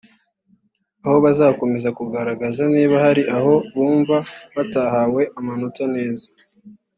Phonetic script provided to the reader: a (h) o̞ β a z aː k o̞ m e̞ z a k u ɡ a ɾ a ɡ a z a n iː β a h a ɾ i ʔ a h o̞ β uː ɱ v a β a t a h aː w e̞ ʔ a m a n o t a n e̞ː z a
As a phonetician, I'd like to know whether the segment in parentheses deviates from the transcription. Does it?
no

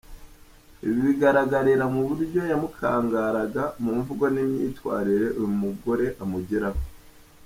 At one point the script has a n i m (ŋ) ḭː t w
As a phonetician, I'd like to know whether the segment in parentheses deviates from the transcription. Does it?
yes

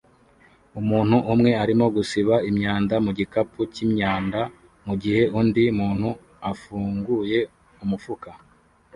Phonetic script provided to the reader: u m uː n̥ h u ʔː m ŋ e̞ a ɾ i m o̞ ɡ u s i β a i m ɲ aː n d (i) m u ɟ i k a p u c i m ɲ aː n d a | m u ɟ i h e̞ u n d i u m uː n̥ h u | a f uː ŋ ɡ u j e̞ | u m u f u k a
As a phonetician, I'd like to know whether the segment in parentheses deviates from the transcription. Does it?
yes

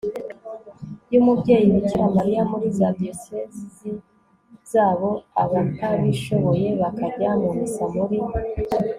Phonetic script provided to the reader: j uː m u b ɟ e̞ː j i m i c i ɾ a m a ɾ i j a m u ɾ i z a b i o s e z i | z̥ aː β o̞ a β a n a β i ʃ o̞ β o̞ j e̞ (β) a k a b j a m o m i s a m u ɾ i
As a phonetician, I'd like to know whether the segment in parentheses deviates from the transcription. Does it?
no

